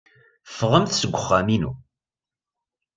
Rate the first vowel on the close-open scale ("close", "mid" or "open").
mid